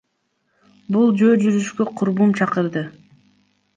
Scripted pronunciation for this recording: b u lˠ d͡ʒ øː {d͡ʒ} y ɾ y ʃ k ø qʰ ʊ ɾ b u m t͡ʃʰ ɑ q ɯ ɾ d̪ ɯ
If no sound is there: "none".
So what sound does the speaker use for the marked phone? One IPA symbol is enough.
d͡ʒ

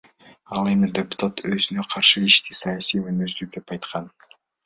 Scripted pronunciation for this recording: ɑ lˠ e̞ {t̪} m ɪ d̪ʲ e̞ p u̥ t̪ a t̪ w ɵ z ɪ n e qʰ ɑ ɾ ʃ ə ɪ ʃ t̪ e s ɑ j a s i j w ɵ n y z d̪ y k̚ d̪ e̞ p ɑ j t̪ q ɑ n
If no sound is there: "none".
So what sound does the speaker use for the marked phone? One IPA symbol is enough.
none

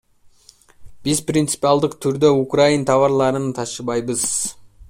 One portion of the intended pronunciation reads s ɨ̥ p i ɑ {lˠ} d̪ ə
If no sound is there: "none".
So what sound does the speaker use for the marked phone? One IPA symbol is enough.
lˠ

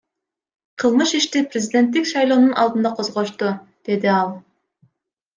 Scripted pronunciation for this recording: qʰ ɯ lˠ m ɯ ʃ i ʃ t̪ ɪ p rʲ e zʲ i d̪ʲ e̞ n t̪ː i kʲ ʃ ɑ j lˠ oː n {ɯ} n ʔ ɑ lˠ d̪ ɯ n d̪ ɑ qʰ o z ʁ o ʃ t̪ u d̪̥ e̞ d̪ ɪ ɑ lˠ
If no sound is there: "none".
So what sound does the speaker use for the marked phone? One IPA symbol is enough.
u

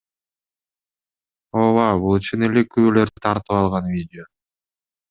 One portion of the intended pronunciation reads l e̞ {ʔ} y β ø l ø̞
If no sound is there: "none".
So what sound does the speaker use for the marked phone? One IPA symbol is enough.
k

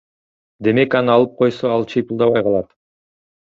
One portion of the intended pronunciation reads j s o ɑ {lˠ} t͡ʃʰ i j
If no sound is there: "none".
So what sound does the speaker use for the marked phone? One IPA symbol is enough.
lˠ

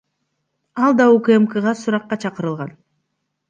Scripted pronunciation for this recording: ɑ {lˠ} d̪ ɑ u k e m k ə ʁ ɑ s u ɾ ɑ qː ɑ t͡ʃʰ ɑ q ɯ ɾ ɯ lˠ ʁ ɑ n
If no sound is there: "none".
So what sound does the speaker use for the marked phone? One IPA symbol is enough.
lˠ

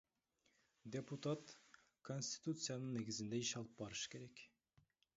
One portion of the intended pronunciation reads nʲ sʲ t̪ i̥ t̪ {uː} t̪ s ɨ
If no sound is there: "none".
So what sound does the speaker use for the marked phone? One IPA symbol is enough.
u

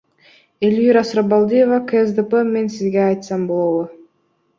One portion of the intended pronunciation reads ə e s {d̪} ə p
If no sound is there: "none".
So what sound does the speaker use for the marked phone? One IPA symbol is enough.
d̪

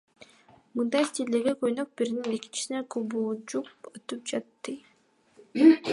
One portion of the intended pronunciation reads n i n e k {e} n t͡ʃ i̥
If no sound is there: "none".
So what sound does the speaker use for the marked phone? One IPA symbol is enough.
i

